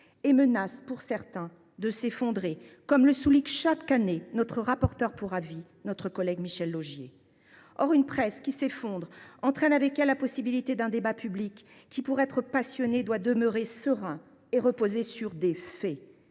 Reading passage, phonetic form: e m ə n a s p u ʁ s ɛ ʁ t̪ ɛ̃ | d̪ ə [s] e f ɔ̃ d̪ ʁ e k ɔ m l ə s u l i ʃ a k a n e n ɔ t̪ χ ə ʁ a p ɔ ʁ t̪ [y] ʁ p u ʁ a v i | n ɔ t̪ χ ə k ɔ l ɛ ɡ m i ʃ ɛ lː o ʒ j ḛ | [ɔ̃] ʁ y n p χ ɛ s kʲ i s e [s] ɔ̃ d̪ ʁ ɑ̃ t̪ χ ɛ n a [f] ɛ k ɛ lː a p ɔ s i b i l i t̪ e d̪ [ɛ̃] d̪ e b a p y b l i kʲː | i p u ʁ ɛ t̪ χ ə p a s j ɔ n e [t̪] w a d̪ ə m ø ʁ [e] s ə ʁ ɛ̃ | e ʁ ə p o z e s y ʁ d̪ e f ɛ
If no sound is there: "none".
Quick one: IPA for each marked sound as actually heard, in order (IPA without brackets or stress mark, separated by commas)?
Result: s, œ, ɔ, f, v, ɛ̃, d̪, e